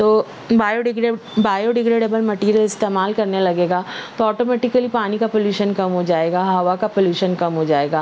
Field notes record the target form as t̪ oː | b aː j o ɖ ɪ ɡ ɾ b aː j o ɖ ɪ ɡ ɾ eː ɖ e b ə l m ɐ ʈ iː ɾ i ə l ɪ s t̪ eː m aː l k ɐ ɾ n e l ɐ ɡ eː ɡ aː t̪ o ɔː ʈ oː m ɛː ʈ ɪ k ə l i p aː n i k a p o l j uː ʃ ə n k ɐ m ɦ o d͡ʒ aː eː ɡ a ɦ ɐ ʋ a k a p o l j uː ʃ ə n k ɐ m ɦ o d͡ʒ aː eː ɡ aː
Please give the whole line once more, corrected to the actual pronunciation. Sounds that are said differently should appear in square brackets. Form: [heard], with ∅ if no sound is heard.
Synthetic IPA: t̪ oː | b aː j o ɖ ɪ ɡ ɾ b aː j o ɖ ɪ ɡ ɾ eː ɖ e b ə l m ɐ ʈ iː ɾ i ə l ɪ s t̪ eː m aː l k ɐ ɾ n e l ɐ ɡ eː ɡ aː t̪ o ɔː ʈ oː m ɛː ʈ ɪ k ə l i p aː n i k a p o l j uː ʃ ə n k ɐ m ɦ o d͡ʒ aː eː ɡ a ɦ ɐ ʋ a k a p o l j uː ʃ ə n k ɐ m ɦ o d͡ʒ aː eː ɡ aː